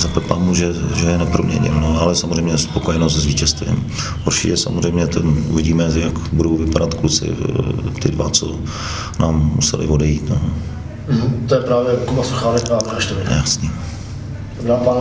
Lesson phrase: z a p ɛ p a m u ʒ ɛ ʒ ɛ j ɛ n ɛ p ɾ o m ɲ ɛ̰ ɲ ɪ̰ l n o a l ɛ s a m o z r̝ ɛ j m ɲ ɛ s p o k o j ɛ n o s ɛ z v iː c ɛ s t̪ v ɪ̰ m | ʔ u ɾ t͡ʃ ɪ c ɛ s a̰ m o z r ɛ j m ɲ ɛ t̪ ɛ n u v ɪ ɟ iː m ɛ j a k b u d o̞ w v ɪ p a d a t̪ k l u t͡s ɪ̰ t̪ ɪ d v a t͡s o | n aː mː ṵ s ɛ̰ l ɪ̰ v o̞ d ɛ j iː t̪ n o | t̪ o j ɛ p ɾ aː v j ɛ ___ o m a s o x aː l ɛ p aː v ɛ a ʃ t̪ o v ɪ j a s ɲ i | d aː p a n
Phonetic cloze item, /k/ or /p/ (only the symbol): k